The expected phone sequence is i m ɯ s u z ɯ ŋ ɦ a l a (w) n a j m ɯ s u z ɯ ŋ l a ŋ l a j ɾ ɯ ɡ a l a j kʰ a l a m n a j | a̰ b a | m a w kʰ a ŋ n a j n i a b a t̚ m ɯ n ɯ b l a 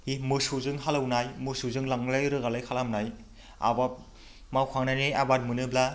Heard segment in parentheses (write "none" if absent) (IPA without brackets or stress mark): w